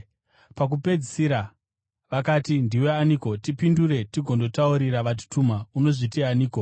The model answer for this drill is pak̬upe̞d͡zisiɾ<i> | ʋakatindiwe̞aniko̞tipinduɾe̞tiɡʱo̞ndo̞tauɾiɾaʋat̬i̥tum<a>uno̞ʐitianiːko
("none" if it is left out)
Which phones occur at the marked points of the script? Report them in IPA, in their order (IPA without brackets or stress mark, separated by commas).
a, a